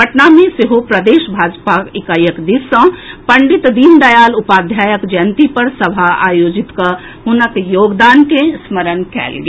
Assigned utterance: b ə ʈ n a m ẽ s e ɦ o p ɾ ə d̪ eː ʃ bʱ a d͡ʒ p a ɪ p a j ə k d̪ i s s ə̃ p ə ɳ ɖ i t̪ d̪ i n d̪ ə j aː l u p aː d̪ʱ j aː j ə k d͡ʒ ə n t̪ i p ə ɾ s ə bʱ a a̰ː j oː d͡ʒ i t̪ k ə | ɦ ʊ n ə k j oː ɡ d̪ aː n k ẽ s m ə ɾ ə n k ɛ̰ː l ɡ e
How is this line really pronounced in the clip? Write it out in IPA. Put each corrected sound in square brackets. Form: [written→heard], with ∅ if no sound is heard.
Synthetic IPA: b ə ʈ n a m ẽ s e ɦ o p ɾ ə d̪ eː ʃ bʱ a d͡ʒ p a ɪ [p→k] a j ə k d̪ i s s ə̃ p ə ɳ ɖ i t̪ d̪ i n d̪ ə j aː l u p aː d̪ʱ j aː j ə k d͡ʒ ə n t̪ i p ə ɾ s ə bʱ a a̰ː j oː d͡ʒ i t̪ k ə | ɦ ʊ n ə k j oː ɡ d̪ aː n k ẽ s m ə ɾ ə n k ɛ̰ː l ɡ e